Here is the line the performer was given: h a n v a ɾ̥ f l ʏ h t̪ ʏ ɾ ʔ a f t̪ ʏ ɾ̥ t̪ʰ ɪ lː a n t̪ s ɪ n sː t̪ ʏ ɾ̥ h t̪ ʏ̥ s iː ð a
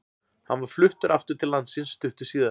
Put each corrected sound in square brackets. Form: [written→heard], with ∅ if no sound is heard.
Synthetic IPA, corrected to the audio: h a n v a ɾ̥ f l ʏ h t̪ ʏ ɾ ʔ a f t̪ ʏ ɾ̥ t̪ʰ ɪ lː a n t̪ s ɪ n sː t̪ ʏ [ɾ̥→∅] h t̪ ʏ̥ s iː ð a